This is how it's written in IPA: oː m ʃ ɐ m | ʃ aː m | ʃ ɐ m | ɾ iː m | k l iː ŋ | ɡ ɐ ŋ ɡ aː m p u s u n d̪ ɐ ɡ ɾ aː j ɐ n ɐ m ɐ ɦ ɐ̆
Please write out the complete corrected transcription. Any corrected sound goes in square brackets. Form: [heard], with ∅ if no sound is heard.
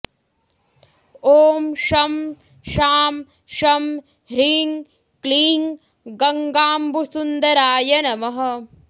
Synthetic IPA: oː m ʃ ɐ m | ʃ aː m | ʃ ɐ m | ɾ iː [ŋ] | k l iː ŋ | ɡ ɐ ŋ ɡ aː m [b] u s u n d̪ ɐ [∅] ɾ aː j ɐ n ɐ m ɐ ɦ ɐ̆